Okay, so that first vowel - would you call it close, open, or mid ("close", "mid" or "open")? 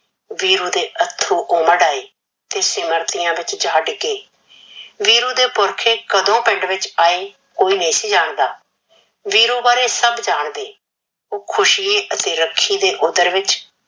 close